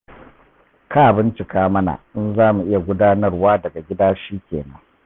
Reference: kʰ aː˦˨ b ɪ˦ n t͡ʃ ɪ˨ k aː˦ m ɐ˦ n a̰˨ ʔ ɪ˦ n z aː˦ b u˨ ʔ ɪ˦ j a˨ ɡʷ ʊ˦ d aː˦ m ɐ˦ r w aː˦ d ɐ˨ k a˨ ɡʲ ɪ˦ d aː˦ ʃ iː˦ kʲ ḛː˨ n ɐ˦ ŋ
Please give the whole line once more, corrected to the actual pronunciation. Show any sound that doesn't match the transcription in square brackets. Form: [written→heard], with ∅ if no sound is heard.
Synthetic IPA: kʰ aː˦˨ b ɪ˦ n t͡ʃ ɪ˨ k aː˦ m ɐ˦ n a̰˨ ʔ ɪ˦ n z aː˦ [b→m] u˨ ʔ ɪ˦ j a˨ ɡʷ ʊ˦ d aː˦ [m→n] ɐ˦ r w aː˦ d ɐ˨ [k→ɡ] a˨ ɡʲ ɪ˦ d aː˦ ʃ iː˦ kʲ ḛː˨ n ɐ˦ ŋ